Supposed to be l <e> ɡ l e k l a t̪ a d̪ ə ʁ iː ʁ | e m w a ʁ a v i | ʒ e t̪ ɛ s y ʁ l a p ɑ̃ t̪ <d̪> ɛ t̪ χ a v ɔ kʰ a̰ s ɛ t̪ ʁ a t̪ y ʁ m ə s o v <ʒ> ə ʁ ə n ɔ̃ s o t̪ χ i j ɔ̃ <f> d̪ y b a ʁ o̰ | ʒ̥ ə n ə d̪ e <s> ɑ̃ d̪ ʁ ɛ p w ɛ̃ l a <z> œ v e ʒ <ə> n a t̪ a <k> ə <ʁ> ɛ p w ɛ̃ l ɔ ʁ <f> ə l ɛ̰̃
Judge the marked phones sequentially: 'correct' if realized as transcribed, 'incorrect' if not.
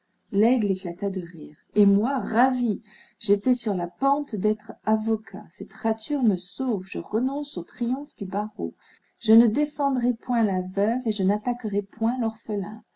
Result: incorrect, correct, correct, correct, incorrect, incorrect, correct, correct, correct, correct

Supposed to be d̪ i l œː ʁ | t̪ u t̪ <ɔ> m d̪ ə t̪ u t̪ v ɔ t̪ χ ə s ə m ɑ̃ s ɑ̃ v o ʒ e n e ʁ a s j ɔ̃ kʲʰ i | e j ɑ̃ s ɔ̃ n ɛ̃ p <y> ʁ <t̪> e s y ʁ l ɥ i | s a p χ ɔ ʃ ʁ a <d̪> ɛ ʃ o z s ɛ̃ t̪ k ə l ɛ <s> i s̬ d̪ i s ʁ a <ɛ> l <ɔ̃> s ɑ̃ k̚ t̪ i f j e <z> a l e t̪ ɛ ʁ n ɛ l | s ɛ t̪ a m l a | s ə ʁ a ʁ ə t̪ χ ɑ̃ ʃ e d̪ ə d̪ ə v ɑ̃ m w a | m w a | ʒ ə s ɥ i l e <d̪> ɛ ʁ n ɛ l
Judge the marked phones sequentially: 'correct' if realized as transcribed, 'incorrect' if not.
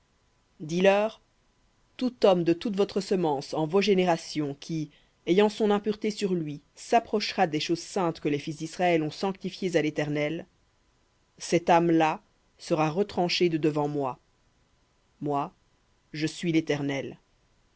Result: correct, correct, correct, correct, incorrect, correct, correct, correct, incorrect

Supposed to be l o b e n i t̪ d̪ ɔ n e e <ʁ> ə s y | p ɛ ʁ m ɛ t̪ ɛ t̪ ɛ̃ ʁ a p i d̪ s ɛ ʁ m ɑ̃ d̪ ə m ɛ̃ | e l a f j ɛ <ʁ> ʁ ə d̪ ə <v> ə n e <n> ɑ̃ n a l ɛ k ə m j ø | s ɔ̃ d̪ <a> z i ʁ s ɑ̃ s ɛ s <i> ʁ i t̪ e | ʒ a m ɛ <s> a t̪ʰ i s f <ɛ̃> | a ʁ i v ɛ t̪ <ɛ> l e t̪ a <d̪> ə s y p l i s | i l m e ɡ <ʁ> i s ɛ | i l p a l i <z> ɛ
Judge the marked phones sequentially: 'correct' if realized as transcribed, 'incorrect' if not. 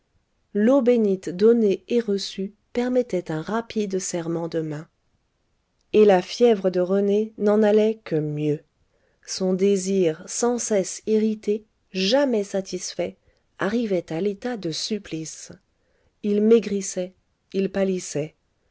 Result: correct, incorrect, incorrect, correct, incorrect, correct, correct, incorrect, incorrect, correct, correct, incorrect

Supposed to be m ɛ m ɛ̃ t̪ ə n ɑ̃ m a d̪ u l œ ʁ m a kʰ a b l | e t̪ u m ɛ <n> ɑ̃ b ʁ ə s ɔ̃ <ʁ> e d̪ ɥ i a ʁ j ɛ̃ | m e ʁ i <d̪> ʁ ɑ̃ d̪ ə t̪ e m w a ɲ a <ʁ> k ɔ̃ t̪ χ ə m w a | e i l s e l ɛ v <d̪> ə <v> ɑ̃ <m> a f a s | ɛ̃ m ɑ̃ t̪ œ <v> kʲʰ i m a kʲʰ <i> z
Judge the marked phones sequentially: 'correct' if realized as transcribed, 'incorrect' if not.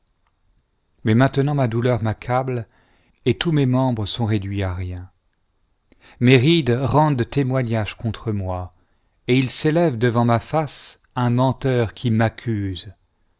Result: incorrect, correct, correct, incorrect, correct, correct, correct, incorrect, incorrect

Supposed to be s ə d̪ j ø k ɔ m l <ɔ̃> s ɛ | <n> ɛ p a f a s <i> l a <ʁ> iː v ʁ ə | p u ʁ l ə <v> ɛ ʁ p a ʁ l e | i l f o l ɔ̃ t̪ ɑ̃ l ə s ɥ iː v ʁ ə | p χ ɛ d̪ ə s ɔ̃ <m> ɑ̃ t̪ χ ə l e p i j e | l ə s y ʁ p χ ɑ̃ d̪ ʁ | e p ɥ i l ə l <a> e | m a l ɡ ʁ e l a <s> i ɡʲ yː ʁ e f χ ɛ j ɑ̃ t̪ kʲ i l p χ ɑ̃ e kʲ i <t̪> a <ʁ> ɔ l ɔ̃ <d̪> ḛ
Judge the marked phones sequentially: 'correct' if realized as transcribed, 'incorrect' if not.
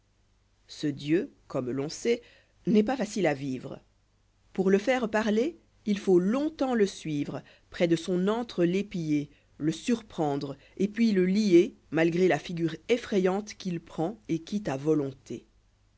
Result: correct, correct, correct, incorrect, incorrect, incorrect, incorrect, incorrect, correct, incorrect, incorrect

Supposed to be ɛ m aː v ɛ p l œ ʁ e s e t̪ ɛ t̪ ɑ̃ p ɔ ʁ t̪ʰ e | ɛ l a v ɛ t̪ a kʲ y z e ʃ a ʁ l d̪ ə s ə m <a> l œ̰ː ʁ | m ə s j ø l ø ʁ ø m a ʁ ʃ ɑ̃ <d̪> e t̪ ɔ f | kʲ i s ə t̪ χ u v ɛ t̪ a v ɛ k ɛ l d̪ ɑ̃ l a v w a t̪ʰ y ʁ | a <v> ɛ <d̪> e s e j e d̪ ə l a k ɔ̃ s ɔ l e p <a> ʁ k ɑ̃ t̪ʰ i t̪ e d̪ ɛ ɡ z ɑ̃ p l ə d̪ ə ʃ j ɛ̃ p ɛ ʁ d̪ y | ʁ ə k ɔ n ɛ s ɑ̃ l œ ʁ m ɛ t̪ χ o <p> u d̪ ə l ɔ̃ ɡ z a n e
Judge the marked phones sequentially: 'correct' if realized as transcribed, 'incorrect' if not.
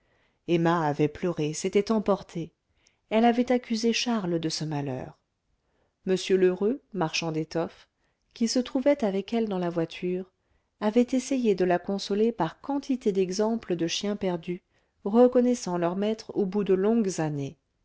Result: correct, correct, correct, incorrect, correct, incorrect

